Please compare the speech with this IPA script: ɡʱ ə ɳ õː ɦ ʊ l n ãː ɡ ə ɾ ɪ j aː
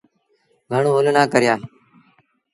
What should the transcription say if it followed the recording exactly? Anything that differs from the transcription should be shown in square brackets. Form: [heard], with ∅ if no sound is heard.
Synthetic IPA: ɡʱ ə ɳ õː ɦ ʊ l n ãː [k] ə ɾ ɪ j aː